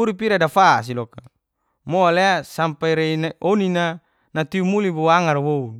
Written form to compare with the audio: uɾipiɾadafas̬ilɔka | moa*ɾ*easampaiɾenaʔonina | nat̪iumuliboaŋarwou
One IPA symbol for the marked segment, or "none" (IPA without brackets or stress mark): l